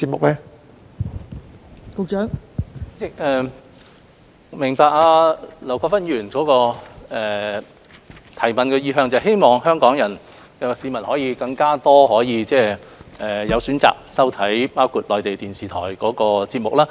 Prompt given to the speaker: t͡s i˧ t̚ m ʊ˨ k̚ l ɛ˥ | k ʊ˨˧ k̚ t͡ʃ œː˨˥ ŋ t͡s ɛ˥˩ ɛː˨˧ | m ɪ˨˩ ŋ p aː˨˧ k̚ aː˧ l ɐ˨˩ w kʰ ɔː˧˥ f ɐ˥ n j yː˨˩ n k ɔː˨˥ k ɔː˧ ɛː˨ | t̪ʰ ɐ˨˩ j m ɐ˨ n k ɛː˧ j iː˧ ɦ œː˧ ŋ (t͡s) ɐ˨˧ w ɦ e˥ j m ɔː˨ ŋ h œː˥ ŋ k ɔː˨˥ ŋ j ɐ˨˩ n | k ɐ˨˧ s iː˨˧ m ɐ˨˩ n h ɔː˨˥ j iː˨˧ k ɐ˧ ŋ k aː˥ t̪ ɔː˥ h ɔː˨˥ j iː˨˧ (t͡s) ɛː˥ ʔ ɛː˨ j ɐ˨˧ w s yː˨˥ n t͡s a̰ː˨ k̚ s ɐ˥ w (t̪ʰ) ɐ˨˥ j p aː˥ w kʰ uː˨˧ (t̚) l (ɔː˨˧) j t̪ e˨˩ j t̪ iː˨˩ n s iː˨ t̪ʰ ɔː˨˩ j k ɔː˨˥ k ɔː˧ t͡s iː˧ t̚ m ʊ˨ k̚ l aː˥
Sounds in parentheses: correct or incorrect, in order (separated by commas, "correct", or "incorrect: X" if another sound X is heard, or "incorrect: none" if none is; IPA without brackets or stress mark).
correct, correct, correct, correct, correct